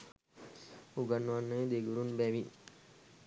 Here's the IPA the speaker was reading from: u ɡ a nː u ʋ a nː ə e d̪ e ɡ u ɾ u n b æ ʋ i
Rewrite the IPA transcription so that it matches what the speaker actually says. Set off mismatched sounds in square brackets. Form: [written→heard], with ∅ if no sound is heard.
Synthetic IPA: u ɡ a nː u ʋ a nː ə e d̪ e ɡ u ɾ u n b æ ʋ i